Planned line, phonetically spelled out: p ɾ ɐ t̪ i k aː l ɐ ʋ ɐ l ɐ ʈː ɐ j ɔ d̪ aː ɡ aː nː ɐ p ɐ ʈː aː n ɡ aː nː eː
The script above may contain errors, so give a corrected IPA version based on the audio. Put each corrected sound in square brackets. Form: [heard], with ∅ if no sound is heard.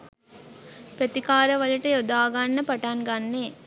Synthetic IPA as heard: p ɾ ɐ t̪ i k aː [ɾ] ɐ ʋ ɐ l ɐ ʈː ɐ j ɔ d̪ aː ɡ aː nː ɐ p ɐ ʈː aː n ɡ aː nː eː